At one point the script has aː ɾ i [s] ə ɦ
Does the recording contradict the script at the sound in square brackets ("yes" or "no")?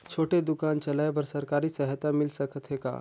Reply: no